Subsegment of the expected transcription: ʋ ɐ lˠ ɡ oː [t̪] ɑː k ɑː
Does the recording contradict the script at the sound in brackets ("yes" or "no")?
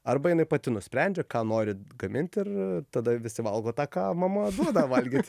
no